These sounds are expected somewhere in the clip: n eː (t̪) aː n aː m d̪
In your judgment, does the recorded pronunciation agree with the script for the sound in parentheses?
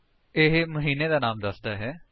no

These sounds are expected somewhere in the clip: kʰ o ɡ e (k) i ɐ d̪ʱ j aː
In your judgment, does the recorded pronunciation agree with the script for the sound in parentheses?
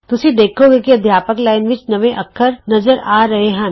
yes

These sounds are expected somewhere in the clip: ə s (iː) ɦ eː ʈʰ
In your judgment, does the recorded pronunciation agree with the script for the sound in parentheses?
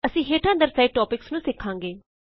no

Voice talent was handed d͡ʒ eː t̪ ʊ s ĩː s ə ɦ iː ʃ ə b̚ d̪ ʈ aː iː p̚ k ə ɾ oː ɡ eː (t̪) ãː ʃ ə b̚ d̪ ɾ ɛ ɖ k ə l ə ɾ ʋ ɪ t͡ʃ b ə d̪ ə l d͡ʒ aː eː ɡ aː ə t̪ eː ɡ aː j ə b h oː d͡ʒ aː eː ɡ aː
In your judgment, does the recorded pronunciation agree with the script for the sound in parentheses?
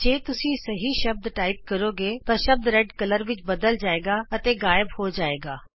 yes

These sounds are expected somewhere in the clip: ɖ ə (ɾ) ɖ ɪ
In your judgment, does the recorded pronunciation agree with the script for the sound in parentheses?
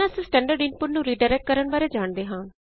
yes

